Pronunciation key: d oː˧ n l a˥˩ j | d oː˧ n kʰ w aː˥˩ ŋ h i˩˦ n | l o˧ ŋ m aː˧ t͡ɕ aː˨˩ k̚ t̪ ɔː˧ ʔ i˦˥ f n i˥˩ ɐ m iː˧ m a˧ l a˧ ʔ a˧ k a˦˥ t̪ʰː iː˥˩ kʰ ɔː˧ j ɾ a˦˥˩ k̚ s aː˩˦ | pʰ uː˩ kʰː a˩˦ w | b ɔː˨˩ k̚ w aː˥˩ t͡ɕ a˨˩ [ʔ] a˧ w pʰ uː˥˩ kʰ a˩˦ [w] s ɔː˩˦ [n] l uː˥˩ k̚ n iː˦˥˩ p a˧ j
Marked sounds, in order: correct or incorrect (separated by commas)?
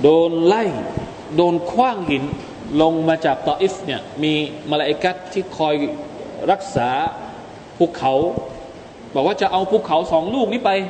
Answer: correct, correct, incorrect